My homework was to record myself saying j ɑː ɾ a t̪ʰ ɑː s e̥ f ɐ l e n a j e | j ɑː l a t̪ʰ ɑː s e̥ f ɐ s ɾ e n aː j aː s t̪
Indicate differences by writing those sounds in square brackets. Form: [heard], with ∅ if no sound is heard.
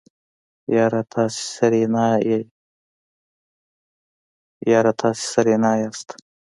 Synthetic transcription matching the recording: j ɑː ɾ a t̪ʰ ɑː s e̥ [s] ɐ [ɾ] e n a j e | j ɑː [ɾ] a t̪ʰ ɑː s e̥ [s] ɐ [∅] ɾ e n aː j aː s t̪